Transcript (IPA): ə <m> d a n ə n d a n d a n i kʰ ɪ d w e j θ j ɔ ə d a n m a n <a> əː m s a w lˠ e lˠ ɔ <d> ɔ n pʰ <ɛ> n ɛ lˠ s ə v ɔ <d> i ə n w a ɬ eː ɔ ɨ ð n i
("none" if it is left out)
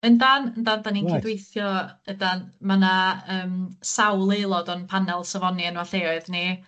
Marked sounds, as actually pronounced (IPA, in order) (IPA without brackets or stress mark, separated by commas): n, a, d, a, n